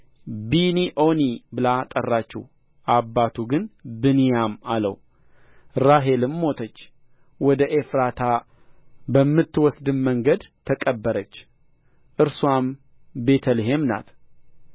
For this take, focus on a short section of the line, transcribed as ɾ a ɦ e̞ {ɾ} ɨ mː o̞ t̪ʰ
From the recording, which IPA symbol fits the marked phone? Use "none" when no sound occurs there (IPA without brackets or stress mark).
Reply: l